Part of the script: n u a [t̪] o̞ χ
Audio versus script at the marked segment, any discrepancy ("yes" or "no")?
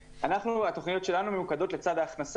no